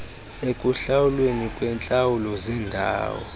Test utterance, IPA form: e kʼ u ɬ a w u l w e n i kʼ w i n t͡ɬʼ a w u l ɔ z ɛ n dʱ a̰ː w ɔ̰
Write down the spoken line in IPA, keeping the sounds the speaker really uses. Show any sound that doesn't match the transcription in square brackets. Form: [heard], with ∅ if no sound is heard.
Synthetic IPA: e kʼ u ɬ a w u l w e n i kʼ w [ɛ] n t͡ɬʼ a w u l ɔ z ɛ n dʱ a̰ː w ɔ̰